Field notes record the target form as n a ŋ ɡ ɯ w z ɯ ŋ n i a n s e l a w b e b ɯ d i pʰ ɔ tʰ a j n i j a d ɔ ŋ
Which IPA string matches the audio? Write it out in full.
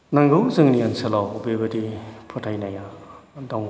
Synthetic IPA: n a ŋ ɡ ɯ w z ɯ ŋ n i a n s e l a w b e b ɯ d i pʰ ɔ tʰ a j n a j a d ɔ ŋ